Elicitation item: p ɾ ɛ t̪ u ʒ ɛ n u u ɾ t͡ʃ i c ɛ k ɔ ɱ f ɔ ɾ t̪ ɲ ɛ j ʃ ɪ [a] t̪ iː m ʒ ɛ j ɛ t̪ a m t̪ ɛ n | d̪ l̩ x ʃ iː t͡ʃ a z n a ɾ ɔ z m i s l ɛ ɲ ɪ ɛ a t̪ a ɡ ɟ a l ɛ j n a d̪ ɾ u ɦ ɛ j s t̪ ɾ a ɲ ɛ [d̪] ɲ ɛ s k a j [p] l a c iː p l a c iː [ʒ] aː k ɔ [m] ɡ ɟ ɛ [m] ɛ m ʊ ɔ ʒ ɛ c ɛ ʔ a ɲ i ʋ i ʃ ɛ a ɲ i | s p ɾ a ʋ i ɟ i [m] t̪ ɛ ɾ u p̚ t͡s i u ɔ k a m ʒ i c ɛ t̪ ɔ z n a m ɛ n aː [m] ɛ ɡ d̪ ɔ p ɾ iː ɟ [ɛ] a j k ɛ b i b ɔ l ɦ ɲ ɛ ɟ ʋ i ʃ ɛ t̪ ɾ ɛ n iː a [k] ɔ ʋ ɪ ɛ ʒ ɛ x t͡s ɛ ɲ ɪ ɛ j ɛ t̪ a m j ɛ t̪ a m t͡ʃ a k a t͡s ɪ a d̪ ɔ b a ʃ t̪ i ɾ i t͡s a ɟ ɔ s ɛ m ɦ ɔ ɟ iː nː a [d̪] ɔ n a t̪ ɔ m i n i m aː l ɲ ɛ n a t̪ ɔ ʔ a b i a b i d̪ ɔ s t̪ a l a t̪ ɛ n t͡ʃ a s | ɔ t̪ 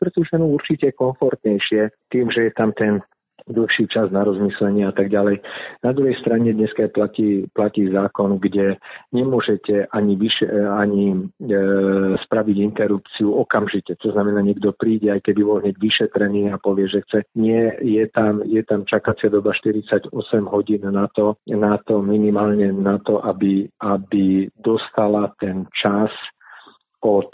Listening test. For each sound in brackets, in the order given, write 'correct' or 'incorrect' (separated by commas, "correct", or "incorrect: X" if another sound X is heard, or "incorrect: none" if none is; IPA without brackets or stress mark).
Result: incorrect: ɛ, correct, correct, incorrect: z, incorrect: n, incorrect: ɲ, incorrect: n, incorrect: ɲ, correct, incorrect: p, incorrect: t̪